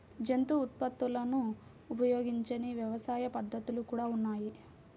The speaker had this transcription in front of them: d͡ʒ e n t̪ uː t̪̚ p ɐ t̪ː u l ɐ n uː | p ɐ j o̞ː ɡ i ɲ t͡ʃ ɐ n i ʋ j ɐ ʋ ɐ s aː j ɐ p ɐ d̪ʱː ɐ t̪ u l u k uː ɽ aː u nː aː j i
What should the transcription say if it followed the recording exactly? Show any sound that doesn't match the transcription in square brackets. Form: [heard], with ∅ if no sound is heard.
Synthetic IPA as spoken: d͡ʒ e n t̪ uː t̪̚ p ɐ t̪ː u l ɐ n uː | p ɐ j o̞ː ɡ i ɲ t͡ʃ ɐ n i ʋ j ɐ ʋ ɐ s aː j ɐ p ɐ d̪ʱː ɐ t̪ u l u k uː ɽ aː u nː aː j i